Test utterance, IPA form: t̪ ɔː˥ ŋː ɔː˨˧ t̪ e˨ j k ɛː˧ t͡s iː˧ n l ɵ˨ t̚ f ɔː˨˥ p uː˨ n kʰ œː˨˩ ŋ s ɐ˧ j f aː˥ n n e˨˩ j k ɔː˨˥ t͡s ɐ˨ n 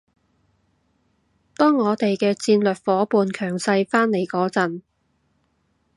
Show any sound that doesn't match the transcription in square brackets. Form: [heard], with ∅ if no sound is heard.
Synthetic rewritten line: t̪ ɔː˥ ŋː ɔː˨˧ t̪ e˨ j k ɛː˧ t͡s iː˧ n l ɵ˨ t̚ f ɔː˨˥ p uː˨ n kʰ œː˨˩ ŋ s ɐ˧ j f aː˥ n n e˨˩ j k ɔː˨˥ t͡s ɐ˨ n